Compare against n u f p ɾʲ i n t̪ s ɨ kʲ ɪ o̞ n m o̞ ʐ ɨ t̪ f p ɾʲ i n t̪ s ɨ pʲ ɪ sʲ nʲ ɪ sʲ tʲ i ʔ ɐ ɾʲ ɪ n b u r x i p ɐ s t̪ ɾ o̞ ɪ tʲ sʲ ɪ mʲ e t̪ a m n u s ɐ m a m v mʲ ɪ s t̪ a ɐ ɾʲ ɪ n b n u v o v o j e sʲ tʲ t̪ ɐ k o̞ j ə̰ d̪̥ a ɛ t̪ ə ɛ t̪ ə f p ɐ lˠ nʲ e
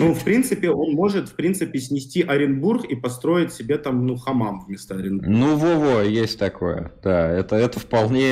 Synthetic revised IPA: n u f p ɾʲ i n t̪ s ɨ pʲ ɪ o̞ n m o̞ ʐ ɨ t̪ f p ɾʲ i n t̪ s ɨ pʲ ɪ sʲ nʲ ɪ sʲ tʲ i ʔ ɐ ɾʲ ɪ n b u r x i p ɐ s t̪ ɾ o̞ ɪ tʲ sʲ ɪ bʲ e t̪ a m n u x ɐ m a m v mʲ ɪ s t̪ a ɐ ɾʲ ɪ n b n u v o v o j e sʲ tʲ t̪ ɐ k o̞ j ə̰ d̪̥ a ɛ t̪ ə ɛ t̪ ə f p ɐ lˠ nʲ e